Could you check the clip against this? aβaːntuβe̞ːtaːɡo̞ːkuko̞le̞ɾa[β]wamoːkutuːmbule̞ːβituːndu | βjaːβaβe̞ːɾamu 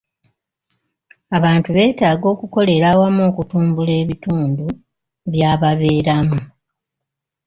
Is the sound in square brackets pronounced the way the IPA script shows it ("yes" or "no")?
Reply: no